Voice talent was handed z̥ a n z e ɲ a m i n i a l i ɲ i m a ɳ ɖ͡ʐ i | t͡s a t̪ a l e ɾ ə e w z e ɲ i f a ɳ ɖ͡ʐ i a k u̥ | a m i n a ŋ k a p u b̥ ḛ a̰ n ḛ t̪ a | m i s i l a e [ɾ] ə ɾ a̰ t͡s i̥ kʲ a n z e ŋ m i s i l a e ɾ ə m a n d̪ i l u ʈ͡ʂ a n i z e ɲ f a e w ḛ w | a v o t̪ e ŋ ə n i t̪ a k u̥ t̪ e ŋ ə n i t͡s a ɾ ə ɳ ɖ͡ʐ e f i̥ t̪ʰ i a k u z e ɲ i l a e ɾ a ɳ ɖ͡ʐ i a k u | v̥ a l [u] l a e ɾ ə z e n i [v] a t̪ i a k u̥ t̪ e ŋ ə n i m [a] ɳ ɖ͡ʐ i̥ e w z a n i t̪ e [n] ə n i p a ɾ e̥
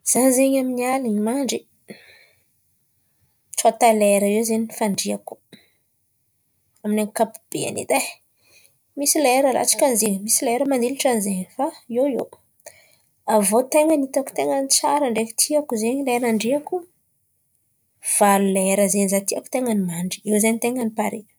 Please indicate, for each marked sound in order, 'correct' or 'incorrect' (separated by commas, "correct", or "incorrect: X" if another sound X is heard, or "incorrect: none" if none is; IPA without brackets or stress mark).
correct, correct, incorrect: z, correct, incorrect: ŋ